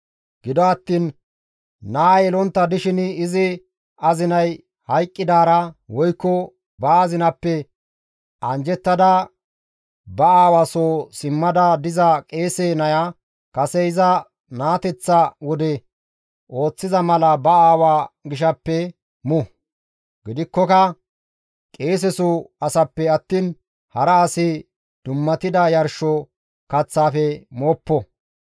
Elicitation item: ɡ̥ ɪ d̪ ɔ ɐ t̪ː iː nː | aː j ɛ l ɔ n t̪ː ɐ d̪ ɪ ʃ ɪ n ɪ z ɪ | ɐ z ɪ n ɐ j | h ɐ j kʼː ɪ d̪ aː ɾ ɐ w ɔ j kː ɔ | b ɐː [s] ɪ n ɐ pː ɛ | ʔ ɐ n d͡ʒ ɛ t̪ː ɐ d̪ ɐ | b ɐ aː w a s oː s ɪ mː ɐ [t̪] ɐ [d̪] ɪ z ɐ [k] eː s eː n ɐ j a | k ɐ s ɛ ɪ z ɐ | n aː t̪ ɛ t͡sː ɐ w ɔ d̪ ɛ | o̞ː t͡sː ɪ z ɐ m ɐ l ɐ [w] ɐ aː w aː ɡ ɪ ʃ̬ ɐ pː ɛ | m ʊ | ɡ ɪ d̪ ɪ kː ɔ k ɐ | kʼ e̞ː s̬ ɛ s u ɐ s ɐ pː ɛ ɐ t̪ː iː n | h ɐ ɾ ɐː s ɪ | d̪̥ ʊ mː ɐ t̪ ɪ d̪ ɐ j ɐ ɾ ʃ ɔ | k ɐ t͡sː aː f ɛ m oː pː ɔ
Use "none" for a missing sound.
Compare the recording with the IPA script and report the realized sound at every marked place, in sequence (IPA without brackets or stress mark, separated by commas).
z, d̪, d̪, kʼ, b